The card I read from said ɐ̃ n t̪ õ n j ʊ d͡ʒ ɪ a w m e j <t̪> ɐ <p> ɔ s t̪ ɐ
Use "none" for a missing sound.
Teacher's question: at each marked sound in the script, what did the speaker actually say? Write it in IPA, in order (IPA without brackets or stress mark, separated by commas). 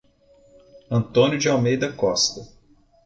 d̪, k